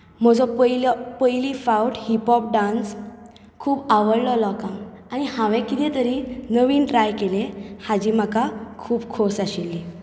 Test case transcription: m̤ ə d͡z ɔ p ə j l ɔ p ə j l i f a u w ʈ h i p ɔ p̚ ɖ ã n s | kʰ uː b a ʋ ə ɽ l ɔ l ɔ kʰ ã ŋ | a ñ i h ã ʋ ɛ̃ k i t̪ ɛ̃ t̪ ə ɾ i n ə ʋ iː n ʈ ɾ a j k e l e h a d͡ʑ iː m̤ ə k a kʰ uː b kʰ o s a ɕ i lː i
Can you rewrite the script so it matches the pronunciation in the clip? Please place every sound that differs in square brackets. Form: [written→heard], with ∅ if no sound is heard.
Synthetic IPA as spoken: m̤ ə d͡z ɔ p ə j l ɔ p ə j l i f a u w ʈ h i p ɔ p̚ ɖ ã n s | kʰ uː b a ʋ ə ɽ l ɔ l ɔ [kʰ→k] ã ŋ | a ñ i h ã ʋ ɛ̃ k i t̪ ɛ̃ t̪ ə ɾ i n ə ʋ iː n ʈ ɾ a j k e l e h a d͡ʑ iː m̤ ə k a kʰ uː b kʰ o s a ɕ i lː i